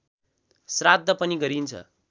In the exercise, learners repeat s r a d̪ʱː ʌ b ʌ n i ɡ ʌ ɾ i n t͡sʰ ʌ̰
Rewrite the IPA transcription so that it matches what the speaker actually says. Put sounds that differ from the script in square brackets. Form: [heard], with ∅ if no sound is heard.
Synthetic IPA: s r a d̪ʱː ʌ [p] ʌ n i ɡ ʌ ɾ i n t͡sʰ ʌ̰